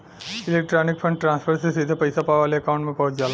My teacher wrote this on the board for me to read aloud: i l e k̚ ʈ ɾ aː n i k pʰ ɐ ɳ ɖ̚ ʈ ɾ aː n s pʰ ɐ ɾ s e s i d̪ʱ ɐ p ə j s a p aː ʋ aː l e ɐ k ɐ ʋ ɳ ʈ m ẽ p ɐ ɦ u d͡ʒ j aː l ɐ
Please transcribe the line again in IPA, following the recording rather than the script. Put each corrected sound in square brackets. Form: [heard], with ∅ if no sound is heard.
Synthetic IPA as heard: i l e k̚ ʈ ɾ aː n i k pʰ ɐ ɳ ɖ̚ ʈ ɾ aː n s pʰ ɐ ɾ s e s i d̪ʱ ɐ p [ɐ] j s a p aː ʋ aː l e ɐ k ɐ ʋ ɳ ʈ m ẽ p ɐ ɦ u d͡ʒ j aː l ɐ

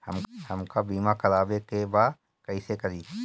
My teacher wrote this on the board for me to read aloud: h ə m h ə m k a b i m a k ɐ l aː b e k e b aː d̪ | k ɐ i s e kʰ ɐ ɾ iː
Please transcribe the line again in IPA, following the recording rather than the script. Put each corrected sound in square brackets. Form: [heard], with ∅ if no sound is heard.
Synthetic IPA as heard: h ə m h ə m k a b [iː] m a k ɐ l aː b e k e b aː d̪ | k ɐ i s e [k] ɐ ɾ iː

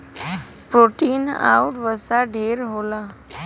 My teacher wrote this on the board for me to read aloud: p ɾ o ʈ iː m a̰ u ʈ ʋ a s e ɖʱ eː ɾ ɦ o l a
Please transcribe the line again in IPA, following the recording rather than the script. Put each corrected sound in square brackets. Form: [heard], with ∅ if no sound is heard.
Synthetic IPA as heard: p ɾ o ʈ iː [n] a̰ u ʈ ʋ [ə] s [a] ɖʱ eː ɾ ɦ o l a

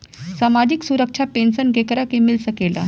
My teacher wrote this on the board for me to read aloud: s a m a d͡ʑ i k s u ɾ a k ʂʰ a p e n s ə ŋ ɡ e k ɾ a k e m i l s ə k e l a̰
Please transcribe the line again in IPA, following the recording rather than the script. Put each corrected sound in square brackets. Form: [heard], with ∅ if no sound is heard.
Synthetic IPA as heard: s a m a d͡ʑ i k s u ɾ [ə] k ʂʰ a p e n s ə [n] ɡ e k ɾ a k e m i l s ə k e l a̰

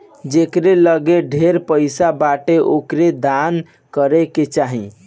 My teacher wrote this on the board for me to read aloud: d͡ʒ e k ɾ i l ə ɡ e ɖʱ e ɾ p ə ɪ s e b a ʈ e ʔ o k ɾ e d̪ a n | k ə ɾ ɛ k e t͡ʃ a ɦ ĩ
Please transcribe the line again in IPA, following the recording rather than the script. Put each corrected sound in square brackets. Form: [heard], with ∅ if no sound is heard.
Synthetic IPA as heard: d͡ʒ e k ɾ [e] l ə ɡ e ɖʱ e ɾ p ə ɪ s [a] b a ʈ e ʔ o k ɾ e d̪ a n | k ə ɾ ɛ k e t͡ʃ a ɦ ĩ

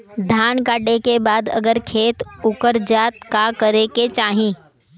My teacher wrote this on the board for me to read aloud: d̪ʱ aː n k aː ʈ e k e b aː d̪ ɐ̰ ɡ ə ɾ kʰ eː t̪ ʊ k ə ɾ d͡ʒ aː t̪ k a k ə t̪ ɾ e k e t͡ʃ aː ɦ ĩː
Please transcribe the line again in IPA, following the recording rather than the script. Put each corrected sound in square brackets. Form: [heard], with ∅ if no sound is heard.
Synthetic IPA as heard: d̪ʱ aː n k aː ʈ e k e b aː d̪ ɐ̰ ɡ ə ɾ kʰ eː t̪ ʊ k ə ɾ d͡ʒ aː t̪ k a k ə [∅] ɾ e k e t͡ʃ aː ɦ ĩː

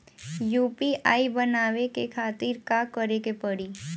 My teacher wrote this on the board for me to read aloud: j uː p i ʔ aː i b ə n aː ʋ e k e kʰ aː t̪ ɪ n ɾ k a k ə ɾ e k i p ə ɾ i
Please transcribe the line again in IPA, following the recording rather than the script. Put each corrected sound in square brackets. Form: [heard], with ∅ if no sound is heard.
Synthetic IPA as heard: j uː p i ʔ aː i b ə n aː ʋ e k e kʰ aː t̪ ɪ [∅] ɾ k a k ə ɾ e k [e] p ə [ɽ] i

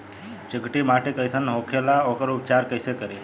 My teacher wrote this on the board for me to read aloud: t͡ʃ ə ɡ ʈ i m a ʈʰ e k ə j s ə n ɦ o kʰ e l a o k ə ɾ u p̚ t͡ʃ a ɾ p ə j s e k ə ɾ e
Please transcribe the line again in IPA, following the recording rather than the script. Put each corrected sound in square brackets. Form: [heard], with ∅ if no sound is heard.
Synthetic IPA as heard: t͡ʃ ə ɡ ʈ i m a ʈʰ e k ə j s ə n ɦ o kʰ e l a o k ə ɾ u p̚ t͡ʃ a ɾ [k] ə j s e k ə ɾ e

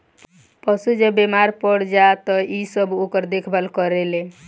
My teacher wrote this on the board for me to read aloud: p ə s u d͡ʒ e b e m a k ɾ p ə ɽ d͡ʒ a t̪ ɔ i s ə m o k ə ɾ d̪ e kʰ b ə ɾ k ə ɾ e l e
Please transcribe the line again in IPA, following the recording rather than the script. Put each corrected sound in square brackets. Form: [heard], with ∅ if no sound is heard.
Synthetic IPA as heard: p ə s u d͡ʒ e b e m a [∅] ɾ p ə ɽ d͡ʒ a t̪ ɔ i s ə [b] o k ə ɾ d̪ e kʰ b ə [l] k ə ɾ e l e

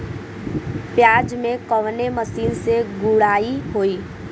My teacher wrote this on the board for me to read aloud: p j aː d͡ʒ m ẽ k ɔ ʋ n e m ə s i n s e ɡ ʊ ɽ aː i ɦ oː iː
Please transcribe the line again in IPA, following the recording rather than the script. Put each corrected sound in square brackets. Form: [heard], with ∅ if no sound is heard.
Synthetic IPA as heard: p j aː d͡ʒ m ẽ k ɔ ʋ n e m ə s [iː] n s e ɡ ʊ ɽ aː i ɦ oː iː

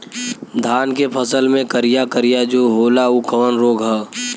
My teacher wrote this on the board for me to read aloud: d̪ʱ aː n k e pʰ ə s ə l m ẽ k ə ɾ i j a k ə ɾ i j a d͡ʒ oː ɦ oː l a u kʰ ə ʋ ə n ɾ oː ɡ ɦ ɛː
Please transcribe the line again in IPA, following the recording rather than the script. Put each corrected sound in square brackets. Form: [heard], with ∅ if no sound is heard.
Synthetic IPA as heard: d̪ʱ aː n k e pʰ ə s ə l m ẽ k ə ɾ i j a k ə ɾ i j a d͡ʒ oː ɦ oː l a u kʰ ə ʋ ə n ɾ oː ɡ ɦ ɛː

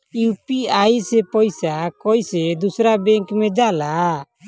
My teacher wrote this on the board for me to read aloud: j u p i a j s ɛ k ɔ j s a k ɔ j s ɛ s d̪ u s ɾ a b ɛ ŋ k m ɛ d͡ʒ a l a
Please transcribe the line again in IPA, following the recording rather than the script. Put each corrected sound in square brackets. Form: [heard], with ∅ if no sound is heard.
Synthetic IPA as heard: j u p i a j s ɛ [p] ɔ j s a k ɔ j s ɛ [∅] d̪ u s ɾ a b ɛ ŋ k m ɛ d͡ʒ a l a

